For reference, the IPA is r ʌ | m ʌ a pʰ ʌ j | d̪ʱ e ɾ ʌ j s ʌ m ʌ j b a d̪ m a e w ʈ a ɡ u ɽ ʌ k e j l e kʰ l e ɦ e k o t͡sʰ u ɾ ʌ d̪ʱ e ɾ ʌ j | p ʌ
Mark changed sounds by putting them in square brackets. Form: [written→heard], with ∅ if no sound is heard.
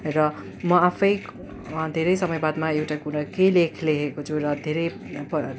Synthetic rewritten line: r ʌ | m ʌ a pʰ ʌ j | d̪ʱ e ɾ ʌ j s ʌ m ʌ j b a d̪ m a e w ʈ a [ɡ→k] u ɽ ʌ k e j l e kʰ l e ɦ e k o t͡sʰ u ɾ ʌ d̪ʱ e ɾ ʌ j | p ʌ

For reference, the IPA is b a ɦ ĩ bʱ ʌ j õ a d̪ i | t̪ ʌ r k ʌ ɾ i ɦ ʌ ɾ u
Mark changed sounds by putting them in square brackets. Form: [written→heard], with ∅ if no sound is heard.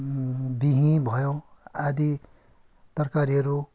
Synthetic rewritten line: b [a→i] ɦ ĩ bʱ ʌ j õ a d̪ i | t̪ ʌ r k [ʌ→a] ɾ i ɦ ʌ ɾ u

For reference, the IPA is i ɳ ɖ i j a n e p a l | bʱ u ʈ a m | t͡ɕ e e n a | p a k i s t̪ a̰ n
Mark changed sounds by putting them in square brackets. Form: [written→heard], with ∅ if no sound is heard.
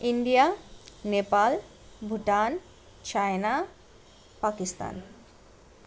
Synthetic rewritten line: i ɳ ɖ i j a n e p a l | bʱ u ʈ a [m→n] | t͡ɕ [e→a] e n a | p a k i s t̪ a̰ n

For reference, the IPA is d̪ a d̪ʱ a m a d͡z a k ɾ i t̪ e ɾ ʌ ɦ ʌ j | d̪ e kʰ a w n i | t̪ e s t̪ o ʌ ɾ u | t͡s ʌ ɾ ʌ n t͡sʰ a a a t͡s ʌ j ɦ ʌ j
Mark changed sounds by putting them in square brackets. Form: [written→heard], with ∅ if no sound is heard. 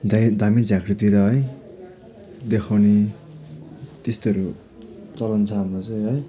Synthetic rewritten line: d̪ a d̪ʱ a m [a→i] d͡z a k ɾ i t̪ [e→i] ɾ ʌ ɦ ʌ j | d̪ e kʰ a w n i | t̪ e s t̪ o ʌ ɾ u | t͡s ʌ [ɾ→l] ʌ n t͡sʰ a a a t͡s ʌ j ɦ ʌ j

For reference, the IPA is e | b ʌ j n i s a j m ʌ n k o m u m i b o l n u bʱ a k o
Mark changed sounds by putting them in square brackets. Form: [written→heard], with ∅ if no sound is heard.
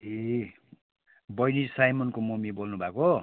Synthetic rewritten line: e | b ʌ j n i s a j m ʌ n k o m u m i b o l n u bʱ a k o

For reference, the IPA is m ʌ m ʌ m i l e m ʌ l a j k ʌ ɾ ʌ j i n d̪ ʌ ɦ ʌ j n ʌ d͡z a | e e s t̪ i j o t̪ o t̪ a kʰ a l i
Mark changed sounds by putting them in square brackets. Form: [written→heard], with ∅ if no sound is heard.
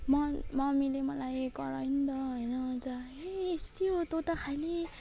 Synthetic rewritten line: m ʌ m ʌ m i l e m ʌ l a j k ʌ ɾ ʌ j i n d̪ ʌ ɦ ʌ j n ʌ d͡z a | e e s t̪ i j o t̪ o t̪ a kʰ a l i

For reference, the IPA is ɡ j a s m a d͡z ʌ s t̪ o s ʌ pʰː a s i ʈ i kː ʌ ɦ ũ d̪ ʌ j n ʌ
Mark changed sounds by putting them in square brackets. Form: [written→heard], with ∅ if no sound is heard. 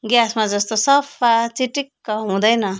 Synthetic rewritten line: ɡ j a s m a d͡z ʌ s t̪ o s ʌ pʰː a [s→t͡s] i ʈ i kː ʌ ɦ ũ d̪ ʌ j n ʌ

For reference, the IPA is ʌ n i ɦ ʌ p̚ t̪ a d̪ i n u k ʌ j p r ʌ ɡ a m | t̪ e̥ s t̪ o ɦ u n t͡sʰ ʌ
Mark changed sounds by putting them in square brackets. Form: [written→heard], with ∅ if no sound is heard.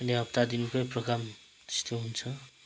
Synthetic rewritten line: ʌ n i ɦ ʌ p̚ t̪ a d̪ i n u k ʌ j p r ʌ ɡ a m | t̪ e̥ s t̪ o ɦ u n t͡sʰ ʌ

